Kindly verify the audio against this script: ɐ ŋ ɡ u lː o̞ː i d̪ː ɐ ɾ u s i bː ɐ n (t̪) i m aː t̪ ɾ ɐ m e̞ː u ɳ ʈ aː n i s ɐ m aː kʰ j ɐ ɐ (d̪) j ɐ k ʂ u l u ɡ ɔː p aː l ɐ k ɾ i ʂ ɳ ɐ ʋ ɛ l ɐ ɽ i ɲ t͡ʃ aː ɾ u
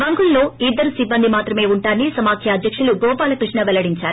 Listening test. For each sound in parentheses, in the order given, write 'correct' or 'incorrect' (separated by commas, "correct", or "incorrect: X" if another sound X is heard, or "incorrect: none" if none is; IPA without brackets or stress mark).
incorrect: d̪, correct